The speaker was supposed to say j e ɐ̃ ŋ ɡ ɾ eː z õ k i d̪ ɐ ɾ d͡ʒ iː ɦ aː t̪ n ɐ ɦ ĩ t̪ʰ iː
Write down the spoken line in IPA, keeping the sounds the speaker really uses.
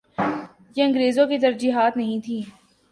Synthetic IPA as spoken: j e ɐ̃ ŋ ɡ ɾ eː z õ k i t̪ ɐ ɾ d͡ʒ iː ɦ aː t̪ n ɐ ɦ ĩ t̪ʰ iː